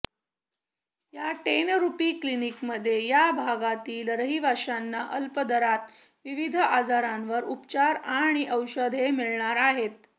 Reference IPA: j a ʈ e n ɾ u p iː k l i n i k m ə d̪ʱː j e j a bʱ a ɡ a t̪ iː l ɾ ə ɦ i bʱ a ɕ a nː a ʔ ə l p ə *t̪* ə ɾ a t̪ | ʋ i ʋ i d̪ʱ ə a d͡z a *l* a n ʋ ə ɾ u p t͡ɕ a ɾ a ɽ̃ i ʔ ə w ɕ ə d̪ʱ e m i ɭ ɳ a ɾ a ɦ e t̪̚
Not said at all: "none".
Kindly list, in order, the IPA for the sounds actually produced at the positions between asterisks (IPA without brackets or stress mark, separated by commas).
d̪, ɾ